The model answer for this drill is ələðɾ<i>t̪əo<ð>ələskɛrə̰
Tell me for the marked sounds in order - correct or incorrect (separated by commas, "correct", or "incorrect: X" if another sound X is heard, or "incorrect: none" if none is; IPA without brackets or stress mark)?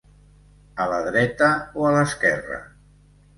incorrect: ɛ, incorrect: none